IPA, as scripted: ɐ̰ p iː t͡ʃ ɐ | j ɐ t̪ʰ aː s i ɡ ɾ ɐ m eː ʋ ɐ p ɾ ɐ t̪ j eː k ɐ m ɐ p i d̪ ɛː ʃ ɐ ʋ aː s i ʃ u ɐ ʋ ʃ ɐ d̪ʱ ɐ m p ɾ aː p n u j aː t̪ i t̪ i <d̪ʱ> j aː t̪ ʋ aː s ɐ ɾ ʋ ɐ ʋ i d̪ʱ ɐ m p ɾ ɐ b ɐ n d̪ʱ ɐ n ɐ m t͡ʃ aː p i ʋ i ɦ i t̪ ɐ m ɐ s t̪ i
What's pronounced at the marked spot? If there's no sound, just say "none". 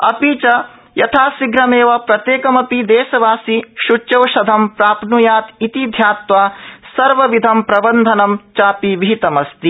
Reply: d̪ʱ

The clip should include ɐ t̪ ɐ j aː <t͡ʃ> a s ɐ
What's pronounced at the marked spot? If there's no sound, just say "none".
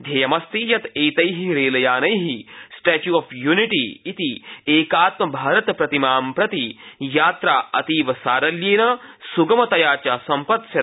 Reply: t͡ʃ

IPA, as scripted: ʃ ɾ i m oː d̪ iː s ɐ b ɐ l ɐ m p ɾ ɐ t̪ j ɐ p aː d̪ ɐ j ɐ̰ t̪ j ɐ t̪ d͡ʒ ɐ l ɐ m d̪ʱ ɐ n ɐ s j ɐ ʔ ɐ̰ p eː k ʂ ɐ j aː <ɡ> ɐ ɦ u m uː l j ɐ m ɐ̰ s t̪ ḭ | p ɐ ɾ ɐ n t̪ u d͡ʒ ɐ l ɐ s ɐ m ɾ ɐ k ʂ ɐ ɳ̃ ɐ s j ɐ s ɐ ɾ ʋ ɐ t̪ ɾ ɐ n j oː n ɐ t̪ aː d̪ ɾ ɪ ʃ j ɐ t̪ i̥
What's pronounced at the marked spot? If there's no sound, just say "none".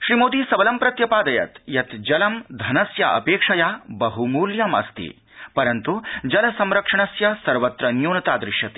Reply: b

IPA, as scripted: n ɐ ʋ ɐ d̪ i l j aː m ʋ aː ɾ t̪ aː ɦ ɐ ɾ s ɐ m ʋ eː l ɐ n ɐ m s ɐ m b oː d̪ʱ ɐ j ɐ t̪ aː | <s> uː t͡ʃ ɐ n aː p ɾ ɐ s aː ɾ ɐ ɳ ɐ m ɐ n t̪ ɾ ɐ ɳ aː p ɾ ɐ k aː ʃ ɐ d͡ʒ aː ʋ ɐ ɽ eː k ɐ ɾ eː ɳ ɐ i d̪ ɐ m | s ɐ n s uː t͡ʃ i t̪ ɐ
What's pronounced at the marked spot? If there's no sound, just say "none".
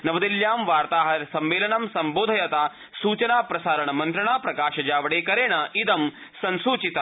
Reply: s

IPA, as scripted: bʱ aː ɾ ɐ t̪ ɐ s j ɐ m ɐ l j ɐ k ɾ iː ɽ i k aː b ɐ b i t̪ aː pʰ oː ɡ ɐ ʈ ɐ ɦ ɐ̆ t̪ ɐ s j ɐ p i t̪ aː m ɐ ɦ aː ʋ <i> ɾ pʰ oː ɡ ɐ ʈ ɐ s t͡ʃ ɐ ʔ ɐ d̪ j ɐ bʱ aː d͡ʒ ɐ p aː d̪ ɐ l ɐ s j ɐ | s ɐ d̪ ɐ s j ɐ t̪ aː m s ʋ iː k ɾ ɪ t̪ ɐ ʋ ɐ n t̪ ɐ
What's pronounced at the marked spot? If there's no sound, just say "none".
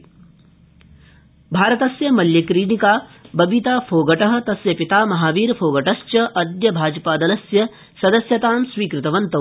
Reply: iː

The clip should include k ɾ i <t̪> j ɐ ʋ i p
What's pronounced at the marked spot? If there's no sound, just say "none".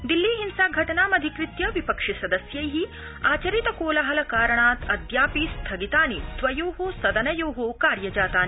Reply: t̪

